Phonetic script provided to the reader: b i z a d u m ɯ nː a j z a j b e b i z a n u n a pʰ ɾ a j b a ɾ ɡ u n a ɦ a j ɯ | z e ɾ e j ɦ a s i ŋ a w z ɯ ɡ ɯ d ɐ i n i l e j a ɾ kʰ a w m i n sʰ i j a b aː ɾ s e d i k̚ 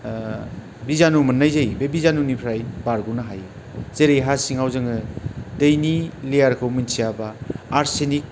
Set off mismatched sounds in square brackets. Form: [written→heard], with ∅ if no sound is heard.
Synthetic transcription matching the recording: b i z a [d→n] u m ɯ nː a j z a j b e b i z a n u n [a→i] pʰ ɾ a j b a ɾ ɡ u n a ɦ a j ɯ | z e ɾ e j ɦ a s i ŋ a w z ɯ [ɡ→ŋ] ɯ d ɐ [i→j] n i l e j a ɾ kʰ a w m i n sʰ i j a b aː ɾ s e [d→n] i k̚